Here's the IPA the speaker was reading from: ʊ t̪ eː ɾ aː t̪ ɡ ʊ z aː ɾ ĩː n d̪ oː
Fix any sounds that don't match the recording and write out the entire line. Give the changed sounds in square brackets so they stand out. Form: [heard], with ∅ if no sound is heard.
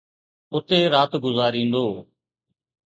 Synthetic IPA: ʊ t̪ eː ɾ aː t̪ ɡ ʊ z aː ɾ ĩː n d̪ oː